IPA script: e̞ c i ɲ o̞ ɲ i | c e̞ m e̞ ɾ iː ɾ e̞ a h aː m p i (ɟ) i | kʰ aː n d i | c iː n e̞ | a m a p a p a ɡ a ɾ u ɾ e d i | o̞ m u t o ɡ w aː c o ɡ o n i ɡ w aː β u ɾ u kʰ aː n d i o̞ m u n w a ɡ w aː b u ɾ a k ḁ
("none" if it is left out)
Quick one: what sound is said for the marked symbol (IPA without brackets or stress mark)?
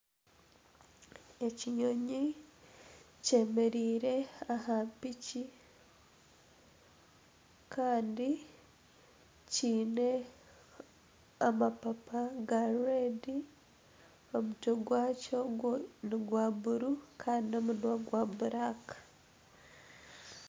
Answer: c